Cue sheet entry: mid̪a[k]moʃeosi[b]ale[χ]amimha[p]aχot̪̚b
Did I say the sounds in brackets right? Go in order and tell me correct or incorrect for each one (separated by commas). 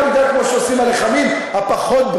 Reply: correct, incorrect, correct, correct